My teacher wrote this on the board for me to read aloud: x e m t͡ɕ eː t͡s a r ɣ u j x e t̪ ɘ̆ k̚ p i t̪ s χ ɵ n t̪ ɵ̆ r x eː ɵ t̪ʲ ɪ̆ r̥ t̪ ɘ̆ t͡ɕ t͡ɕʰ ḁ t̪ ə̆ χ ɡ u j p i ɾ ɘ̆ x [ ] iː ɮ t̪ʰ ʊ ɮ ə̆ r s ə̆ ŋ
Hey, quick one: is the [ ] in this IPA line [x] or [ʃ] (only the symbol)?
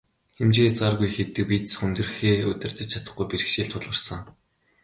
ʃ